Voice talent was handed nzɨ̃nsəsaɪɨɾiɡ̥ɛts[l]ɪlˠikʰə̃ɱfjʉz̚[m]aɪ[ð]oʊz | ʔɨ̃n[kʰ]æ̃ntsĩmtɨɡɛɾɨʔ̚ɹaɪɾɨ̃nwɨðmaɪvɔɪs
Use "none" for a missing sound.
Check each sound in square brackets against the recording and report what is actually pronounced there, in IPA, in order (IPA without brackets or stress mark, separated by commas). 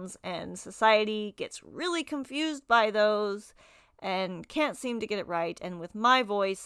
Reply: ɹ, b, ð, kʰ